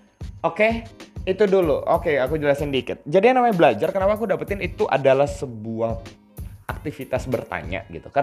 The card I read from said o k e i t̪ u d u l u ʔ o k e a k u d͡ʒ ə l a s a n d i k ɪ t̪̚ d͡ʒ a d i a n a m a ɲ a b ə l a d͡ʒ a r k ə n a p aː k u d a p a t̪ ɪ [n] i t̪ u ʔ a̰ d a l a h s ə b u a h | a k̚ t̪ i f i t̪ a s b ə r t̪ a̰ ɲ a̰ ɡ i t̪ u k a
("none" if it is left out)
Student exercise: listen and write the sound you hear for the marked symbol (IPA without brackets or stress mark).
n